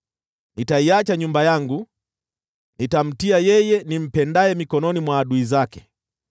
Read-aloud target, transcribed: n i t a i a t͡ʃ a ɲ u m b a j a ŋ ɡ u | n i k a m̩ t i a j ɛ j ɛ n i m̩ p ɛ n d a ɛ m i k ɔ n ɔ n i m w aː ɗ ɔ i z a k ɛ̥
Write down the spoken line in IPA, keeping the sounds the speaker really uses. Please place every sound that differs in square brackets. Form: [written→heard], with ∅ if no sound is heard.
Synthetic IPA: n i t a i a t͡ʃ a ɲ u m b a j a ŋ ɡ u | n i [k→t] a m̩ t i a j ɛ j ɛ n i m̩ p ɛ n d a ɛ m i k ɔ n ɔ n i m w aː ɗ [ɔ→u] i z a k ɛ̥